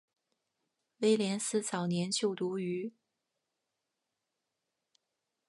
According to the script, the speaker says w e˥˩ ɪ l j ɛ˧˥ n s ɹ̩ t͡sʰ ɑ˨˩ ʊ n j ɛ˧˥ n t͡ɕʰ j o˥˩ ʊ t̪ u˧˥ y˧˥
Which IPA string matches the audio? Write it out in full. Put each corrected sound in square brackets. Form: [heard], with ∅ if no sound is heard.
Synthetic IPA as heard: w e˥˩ ɪ l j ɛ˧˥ n s ɹ̩ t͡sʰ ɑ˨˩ ʊ n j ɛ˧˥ n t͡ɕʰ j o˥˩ ʊ t̪ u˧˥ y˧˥